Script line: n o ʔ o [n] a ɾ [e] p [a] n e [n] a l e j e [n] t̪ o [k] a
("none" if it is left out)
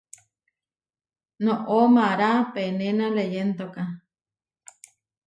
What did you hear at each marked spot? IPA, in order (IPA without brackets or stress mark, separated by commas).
m, a, e, n, n, k